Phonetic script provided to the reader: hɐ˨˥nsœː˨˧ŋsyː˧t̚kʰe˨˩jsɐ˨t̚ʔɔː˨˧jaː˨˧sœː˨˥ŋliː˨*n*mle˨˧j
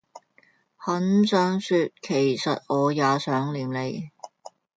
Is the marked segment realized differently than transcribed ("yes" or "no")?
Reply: yes